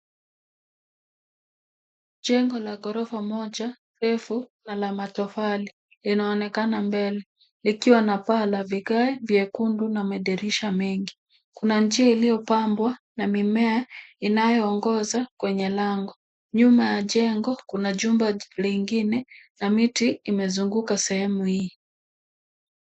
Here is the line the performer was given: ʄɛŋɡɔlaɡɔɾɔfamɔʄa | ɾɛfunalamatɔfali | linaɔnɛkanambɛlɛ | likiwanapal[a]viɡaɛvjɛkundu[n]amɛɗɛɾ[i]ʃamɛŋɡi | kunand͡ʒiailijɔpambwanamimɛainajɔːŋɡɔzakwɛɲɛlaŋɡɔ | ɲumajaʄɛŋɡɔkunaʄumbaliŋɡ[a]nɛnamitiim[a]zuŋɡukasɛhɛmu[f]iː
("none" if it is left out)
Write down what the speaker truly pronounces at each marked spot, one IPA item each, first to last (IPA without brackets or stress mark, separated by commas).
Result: a, n, i, i, ɛ, h